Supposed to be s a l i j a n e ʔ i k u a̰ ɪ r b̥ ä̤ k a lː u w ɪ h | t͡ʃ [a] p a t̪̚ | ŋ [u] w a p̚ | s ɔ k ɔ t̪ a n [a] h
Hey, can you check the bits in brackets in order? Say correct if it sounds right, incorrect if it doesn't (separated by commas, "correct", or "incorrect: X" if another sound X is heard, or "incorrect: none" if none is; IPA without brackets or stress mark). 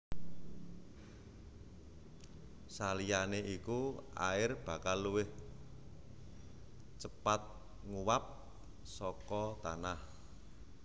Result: incorrect: ə, correct, correct